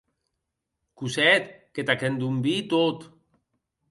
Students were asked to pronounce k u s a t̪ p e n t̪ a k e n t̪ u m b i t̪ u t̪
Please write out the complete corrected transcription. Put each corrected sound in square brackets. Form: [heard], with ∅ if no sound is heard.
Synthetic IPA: k u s [ɛ] t̪ [k] e [∅] t̪ a k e n [d̪] u m b i t̪ [o] t̪